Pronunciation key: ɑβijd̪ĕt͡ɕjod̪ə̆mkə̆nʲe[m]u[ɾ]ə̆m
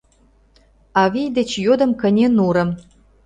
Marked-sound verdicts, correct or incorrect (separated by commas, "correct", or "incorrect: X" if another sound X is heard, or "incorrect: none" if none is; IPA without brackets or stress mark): incorrect: n, correct